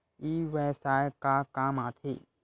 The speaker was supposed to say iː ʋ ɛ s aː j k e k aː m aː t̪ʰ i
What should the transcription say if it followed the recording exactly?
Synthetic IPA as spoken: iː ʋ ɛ s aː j k a k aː m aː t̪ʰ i